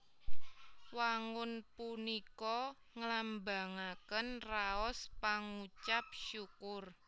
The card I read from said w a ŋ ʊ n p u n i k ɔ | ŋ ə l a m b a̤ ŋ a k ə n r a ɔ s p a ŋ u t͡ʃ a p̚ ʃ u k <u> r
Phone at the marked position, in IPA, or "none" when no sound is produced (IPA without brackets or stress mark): ʊ